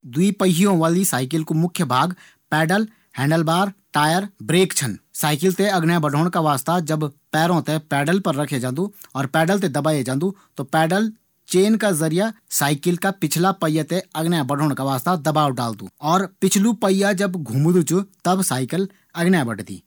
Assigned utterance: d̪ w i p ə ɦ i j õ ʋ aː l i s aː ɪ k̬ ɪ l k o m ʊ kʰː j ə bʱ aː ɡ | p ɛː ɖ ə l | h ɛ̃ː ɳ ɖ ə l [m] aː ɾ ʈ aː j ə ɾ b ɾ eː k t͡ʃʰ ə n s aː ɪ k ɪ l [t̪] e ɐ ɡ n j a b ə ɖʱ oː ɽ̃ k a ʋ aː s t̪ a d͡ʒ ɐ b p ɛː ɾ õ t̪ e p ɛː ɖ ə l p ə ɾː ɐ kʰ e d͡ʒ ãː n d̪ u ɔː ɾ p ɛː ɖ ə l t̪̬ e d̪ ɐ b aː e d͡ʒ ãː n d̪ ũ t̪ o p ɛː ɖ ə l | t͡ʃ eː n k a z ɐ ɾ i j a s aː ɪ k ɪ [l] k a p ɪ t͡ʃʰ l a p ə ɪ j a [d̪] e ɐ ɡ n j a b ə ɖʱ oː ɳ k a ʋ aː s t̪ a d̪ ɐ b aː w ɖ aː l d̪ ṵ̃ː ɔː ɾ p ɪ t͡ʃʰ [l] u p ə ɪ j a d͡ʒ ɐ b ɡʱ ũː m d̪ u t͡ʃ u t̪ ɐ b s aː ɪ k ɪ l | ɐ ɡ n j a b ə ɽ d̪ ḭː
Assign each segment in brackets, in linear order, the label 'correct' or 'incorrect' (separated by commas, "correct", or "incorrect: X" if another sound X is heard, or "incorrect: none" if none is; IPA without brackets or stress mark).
incorrect: b, correct, correct, incorrect: t̪, correct